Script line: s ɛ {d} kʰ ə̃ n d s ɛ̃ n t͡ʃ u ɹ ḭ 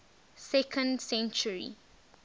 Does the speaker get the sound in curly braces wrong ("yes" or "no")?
yes